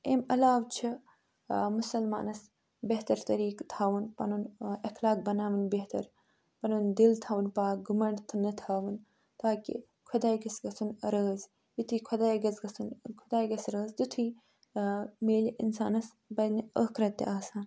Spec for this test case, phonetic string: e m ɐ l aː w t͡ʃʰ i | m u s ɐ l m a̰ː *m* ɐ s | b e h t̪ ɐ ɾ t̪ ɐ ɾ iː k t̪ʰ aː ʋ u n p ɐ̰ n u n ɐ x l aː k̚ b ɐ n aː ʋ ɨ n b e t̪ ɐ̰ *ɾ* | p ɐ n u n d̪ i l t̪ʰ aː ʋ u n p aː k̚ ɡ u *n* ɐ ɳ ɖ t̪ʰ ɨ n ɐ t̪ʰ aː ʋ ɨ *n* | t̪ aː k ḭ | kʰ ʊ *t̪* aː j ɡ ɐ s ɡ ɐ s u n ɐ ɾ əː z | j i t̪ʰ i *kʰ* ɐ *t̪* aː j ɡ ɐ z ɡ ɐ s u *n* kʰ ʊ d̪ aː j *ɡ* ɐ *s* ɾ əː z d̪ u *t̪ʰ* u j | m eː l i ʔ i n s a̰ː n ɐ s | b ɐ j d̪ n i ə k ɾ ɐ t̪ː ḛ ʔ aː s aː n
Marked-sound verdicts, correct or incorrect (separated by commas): incorrect, correct, incorrect, correct, incorrect, correct, incorrect, correct, correct, correct, correct